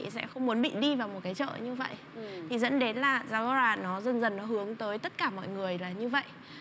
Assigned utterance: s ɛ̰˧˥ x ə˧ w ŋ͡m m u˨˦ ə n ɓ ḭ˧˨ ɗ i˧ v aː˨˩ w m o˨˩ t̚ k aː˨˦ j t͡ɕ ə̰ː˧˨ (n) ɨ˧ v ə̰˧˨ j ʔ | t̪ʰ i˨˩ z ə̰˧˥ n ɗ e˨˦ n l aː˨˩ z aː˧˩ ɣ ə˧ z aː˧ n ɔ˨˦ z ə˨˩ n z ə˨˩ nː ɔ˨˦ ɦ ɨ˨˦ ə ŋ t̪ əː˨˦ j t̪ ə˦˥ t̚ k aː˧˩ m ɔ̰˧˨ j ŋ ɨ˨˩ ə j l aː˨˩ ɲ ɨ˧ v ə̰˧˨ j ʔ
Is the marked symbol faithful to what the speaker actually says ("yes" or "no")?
no